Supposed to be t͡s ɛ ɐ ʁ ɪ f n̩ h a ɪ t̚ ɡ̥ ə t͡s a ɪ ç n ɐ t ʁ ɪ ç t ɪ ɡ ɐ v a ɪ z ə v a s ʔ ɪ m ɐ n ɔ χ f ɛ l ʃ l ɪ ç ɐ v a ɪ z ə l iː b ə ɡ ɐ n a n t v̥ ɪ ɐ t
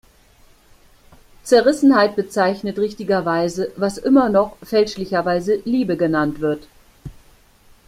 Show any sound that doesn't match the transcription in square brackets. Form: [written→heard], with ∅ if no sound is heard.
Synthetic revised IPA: t͡s ɛ ɐ ʁ ɪ [f→s] n̩ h a ɪ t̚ [ɡ̥→b̥] ə t͡s a ɪ ç n [ɐ→ə] t ʁ ɪ ç t ɪ ɡ ɐ v a ɪ z ə v a s ʔ ɪ m ɐ n ɔ χ f ɛ l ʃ l ɪ ç ɐ v a ɪ z ə l iː b ə ɡ [ɐ→ə] n a n t v̥ ɪ ɐ t